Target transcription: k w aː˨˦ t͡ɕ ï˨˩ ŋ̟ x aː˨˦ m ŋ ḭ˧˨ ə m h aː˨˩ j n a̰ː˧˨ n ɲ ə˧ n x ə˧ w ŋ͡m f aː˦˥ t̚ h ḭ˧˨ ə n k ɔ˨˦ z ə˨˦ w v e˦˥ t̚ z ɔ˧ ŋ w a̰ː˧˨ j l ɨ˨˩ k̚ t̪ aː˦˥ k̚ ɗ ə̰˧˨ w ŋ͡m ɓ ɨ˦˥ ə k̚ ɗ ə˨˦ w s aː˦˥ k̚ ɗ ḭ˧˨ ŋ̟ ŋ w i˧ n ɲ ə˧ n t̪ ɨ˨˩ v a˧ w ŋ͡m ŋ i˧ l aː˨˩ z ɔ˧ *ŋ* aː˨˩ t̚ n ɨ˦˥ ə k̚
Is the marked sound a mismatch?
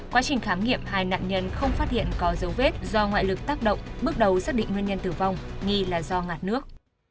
no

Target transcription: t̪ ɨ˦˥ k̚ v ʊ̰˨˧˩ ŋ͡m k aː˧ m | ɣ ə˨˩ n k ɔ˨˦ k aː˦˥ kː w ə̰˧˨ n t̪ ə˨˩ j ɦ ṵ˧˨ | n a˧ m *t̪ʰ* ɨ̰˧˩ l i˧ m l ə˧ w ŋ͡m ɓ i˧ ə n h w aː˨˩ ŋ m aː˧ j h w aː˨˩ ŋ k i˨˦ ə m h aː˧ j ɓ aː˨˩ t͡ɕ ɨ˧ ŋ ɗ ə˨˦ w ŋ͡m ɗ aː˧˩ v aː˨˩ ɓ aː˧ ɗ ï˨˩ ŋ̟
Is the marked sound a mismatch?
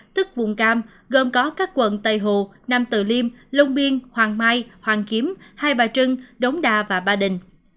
yes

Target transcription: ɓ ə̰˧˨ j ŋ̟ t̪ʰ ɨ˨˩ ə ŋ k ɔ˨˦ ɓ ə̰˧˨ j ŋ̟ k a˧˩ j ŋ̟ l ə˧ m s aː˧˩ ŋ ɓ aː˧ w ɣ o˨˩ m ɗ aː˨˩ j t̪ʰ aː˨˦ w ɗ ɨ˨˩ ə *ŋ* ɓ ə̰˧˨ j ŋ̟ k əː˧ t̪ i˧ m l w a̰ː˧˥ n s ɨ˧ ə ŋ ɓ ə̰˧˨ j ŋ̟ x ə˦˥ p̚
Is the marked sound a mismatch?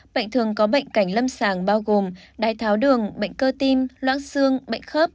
no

